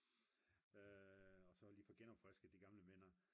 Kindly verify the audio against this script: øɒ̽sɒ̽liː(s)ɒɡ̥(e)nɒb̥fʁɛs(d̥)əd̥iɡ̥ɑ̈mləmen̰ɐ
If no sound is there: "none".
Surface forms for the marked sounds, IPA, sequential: f, e, ɡ̥

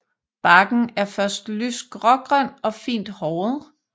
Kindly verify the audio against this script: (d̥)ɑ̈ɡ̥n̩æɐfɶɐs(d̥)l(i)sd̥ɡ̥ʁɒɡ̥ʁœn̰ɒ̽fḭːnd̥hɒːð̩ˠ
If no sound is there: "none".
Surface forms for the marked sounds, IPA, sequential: b̥, d̥, y

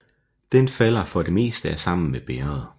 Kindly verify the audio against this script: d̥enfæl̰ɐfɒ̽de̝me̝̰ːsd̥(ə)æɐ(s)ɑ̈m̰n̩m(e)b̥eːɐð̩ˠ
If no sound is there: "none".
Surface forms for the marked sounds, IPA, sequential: ə, s, e

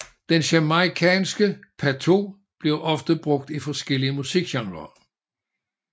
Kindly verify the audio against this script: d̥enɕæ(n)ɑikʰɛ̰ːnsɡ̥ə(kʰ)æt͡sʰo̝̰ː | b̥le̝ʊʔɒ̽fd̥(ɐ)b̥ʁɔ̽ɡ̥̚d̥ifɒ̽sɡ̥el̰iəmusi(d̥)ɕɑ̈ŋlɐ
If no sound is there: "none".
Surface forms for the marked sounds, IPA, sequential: m, pʰ, ə, ɡ̥

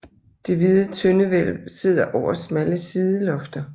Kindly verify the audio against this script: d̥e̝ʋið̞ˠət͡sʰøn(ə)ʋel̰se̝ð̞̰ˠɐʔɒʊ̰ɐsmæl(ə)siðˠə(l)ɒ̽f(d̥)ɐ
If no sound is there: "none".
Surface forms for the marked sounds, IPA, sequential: ə, ə, l, d̥

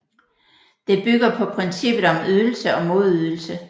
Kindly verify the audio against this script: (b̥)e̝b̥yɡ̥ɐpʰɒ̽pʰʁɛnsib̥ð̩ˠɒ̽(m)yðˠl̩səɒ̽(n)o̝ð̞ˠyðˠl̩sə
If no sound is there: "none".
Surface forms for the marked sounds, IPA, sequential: d̥, m, m

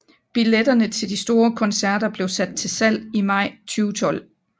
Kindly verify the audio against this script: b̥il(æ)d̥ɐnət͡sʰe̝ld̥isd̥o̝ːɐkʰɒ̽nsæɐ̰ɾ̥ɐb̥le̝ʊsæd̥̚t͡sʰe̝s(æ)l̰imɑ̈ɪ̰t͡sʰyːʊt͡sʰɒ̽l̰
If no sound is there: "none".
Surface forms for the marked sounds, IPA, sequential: e, æ

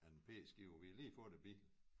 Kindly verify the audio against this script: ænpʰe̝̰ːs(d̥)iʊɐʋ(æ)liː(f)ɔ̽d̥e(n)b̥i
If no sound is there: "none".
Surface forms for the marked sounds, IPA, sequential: ɡ̥, i, f, none

